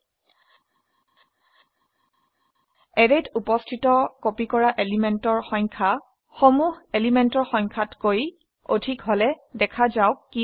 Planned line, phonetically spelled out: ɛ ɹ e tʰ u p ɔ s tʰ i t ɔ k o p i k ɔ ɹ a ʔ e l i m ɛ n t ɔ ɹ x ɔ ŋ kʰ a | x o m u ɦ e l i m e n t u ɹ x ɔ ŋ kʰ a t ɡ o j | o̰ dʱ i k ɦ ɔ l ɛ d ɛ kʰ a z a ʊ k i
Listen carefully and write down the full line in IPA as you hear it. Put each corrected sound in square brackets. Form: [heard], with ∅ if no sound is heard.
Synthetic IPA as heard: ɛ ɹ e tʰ u p ɔ s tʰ i t ɔ k o p i k ɔ ɹ a ʔ e l i m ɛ n t ɔ ɹ x ɔ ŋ kʰ a | x o m u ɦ e l i m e n t [ɔ] ɹ x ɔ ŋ kʰ a t [k] o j | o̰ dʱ i k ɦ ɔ l ɛ d ɛ kʰ a z a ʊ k i